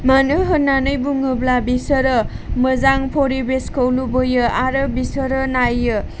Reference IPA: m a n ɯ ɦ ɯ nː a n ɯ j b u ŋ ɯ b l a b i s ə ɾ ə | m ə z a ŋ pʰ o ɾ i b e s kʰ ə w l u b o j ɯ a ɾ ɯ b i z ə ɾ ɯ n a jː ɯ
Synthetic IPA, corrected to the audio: m a n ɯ ɦ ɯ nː a n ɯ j b u ŋ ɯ b l a b i s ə ɾ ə | m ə z a ŋ pʰ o ɾ i b e s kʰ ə w l u b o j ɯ a ɾ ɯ b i s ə ɾ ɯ n a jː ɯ